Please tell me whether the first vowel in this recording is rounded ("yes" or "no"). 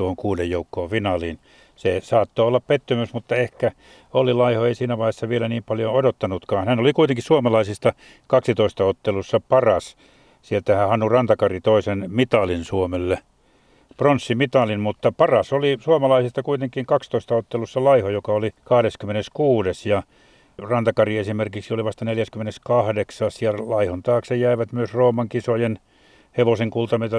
yes